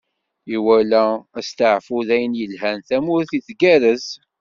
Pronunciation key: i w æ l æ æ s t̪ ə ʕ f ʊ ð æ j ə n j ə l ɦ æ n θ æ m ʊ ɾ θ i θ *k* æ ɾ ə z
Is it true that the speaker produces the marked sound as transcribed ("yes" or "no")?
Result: no